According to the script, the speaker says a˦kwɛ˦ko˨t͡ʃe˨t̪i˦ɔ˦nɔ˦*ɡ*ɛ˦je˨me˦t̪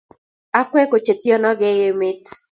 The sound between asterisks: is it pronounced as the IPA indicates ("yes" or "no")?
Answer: yes